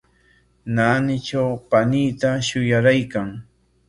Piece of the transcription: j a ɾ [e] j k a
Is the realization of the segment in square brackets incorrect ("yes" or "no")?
yes